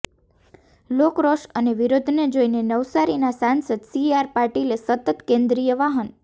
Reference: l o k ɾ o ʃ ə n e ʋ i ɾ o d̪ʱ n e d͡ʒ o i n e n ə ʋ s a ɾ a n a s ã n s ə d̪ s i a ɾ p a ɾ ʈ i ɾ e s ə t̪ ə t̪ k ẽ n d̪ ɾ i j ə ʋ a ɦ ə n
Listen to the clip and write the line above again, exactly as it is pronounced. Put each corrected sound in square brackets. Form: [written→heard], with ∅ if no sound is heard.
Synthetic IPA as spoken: l o k ɾ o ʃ ə n e ʋ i ɾ o d̪ʱ n e d͡ʒ o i n e n ə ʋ s a ɾ [a→i] n a s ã n s ə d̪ s i a ɾ p a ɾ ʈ i [ɾ→l] e s ə t̪ ə t̪ k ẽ n d̪ ɾ i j ə ʋ a ɦ ə n

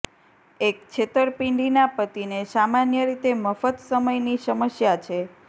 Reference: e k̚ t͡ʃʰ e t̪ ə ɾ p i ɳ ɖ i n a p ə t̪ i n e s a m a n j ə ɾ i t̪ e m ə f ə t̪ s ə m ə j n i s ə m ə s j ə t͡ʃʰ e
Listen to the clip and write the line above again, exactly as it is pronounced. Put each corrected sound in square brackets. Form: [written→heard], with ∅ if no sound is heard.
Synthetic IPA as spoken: e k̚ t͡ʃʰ e t̪ ə ɾ p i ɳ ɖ i n a p ə t̪ i n e s a m a n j ə ɾ i t̪ e m ə f ə t̪ s ə m ə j n i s ə m ə s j [ə→a] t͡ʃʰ e

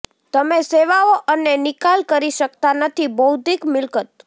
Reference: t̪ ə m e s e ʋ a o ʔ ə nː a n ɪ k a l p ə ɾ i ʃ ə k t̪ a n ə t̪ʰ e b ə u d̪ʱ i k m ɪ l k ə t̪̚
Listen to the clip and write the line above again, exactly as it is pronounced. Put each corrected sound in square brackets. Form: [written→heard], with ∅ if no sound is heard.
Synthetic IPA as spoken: t̪ ə m e s e ʋ a o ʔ ə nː [a→e] n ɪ k a l [p→k] ə ɾ i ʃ ə k t̪ a n ə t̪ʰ [e→i] b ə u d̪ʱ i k m ɪ l k ə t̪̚

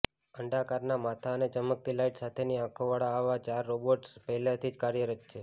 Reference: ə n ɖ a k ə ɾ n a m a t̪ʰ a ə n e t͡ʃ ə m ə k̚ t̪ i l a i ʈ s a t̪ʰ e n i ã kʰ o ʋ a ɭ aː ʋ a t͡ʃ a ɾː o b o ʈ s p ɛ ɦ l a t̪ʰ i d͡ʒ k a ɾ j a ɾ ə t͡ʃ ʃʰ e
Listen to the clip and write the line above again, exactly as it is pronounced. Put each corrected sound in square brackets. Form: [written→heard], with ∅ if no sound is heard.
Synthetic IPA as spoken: ə [n→ɳ] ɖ a k [ə→a] ɾ n a m a t̪ʰ a ə n e t͡ʃ ə m ə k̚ t̪ i l a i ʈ s a t̪ʰ e n i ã kʰ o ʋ a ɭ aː ʋ a t͡ʃ a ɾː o b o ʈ s p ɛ ɦ l a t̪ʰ i d͡ʒ k a ɾ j [a→ə] ɾ ə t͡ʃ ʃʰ e

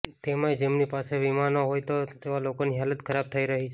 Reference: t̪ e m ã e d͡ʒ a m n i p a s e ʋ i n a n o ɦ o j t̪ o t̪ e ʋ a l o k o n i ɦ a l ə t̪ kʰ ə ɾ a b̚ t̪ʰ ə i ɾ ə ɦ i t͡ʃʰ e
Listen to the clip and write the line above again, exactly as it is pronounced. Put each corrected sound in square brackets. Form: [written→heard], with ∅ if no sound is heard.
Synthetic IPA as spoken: t̪ e m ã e d͡ʒ [a→e] m n i p a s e ʋ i [n→m] a n o ɦ o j t̪ o t̪ e ʋ a l o k o n i ɦ a l ə t̪ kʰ ə ɾ a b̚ t̪ʰ ə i ɾ ə ɦ i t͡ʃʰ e

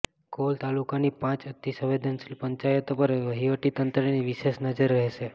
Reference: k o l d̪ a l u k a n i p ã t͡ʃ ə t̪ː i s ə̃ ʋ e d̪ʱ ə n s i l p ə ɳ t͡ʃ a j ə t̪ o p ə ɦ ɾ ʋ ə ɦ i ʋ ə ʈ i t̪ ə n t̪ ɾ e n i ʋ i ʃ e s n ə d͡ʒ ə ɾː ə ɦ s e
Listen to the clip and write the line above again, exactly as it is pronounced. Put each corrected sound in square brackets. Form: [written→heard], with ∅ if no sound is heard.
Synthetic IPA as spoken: k o l [d̪→t̪] a l u k a n i p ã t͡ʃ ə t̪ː i s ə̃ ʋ e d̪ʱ ə n s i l p ə [ɳ→ɲ] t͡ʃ a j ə t̪ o p ə [ɦ→∅] ɾ ʋ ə ɦ i ʋ ə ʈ i t̪ ə n t̪ ɾ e n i ʋ i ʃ e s n ə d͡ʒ ə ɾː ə ɦ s e

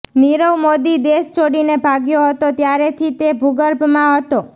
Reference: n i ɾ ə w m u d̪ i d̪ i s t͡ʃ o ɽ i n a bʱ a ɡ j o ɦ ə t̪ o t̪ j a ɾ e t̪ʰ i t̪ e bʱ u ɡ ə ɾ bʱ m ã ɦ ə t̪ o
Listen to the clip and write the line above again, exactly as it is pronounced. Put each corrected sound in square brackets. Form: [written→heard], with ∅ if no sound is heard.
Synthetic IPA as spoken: n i ɾ ə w m [u→o] d̪ i d̪ [i→e] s t͡ʃ o ɽ i n [a→e] bʱ a ɡ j o ɦ ə t̪ o t̪ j a ɾ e t̪ʰ i t̪ e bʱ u ɡ ə ɾ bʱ m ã ɦ ə t̪ o

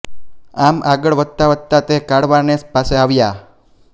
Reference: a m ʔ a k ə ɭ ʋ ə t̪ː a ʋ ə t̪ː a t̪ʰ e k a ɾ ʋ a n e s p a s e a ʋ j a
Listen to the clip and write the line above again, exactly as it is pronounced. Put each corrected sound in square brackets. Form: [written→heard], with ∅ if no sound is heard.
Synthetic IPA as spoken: a m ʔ a [k→ɡ] ə ɭ ʋ ə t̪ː a ʋ ə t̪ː a [t̪ʰ→t̪] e k a [ɾ→ɽ] ʋ a n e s p a s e a ʋ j a

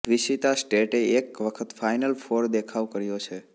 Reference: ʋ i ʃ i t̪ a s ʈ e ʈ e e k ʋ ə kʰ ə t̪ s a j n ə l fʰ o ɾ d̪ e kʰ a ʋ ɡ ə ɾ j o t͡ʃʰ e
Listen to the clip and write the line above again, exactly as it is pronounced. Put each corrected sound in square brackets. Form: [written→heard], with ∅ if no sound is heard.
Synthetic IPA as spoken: ʋ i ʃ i t̪ a s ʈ e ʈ e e k ʋ ə kʰ ə t̪ [s→f] a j n ə l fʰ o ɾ d̪ e kʰ a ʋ [ɡ→k] ə ɾ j o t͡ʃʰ e

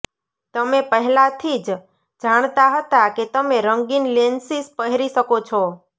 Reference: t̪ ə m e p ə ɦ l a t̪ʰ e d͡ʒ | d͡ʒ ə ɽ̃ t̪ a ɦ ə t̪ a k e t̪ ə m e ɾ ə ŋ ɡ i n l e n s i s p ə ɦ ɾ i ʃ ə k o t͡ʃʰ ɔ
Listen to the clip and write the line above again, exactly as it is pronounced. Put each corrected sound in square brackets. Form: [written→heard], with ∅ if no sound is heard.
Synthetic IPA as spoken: t̪ ə m e p ə ɦ l a t̪ʰ [e→i] d͡ʒ | d͡ʒ [ə→a] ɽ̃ t̪ a ɦ ə t̪ a k e t̪ ə m e ɾ ə ŋ ɡ i n l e n s i s p ə ɦ ɾ i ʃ ə k o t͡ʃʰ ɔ

